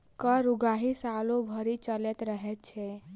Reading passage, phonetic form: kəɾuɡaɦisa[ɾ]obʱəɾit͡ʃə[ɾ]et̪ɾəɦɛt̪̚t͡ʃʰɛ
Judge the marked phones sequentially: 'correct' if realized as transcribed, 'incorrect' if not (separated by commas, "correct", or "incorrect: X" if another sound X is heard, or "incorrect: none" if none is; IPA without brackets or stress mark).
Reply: incorrect: l, incorrect: l